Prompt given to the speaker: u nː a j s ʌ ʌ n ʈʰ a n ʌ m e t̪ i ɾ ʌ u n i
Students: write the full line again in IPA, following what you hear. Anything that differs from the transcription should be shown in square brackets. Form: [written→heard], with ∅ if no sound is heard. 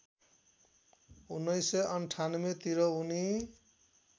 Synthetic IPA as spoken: u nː [a→ʌ] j s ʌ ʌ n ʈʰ a n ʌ m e t̪ i ɾ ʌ u n i

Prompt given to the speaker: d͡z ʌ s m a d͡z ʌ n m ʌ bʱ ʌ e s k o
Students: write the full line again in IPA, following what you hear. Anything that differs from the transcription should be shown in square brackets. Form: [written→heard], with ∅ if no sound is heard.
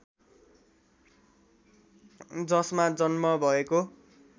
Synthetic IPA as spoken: d͡z ʌ s m a d͡z ʌ n m ʌ bʱ ʌ e [s→∅] k o

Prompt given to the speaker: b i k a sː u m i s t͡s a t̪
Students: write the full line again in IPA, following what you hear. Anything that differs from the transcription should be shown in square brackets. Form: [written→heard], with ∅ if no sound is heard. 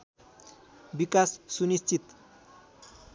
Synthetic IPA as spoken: b i k a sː u [m→n] i s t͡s [a→i] t̪

